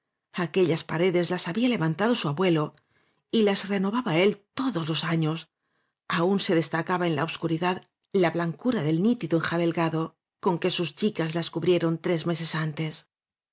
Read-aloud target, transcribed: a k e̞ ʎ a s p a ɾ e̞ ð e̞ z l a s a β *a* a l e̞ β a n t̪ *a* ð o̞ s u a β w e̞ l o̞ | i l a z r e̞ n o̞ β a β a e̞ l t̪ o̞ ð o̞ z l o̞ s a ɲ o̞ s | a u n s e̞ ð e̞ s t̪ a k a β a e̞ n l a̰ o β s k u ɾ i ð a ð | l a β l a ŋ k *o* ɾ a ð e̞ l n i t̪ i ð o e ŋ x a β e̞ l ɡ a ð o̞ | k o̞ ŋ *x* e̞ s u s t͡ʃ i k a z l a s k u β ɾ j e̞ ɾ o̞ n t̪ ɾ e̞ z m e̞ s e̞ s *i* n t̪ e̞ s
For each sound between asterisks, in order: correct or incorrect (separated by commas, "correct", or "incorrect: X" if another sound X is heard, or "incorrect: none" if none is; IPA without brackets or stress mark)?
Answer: incorrect: i, correct, incorrect: u, incorrect: k, incorrect: a